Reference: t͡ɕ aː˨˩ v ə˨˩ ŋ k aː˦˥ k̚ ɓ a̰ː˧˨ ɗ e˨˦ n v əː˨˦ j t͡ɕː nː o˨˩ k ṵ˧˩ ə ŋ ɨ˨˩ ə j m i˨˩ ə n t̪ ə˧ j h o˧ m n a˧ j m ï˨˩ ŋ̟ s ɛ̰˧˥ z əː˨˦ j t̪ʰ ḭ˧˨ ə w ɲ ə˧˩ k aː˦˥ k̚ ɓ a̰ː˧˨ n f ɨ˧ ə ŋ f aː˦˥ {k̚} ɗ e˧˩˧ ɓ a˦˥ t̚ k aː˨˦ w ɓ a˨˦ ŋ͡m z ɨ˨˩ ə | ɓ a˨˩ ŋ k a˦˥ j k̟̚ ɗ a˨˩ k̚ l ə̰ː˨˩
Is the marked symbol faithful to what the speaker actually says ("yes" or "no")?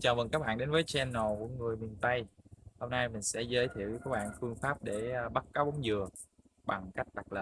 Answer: no